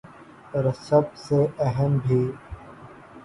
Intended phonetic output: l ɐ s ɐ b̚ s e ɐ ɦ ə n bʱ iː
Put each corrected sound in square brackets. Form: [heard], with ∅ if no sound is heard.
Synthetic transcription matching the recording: [ɾ] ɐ s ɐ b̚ s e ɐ ɦ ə [m] bʱ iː